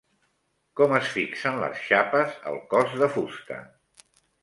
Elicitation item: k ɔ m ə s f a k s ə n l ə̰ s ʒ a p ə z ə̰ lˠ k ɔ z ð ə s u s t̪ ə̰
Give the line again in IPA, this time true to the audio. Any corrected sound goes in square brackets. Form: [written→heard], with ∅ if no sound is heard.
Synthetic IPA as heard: k ɔ m ə s f [a→i] k s ə n l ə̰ s [ʒ→ʃ] a p ə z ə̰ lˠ k ɔ z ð ə [s→f] u s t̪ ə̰